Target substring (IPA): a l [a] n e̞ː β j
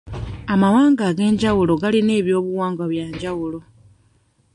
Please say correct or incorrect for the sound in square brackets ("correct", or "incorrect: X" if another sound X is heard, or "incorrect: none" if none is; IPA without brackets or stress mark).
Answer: incorrect: i